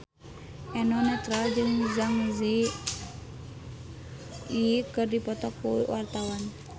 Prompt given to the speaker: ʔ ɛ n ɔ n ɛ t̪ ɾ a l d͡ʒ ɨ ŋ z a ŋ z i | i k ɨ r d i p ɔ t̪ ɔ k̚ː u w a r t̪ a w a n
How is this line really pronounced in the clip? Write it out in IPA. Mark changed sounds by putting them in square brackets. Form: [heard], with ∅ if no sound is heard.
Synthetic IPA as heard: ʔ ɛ n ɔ n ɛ t̪ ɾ a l d͡ʒ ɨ ŋ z a ŋ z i | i k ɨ r d i p ɔ t̪ ɔ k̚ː u w a r t̪ a w a n